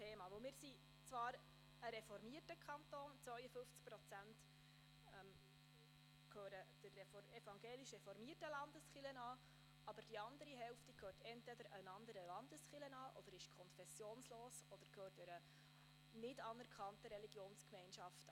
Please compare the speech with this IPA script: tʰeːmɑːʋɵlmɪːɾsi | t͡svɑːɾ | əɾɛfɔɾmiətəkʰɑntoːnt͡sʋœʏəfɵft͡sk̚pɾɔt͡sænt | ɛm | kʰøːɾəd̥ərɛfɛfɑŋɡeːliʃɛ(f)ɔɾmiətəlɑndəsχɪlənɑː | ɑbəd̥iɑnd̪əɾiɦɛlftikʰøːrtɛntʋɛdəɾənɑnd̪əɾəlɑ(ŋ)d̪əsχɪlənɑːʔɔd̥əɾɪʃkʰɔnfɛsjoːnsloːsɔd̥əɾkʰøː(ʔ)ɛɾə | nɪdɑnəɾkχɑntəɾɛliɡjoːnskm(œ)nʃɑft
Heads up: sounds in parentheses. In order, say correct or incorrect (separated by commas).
correct, incorrect, incorrect, incorrect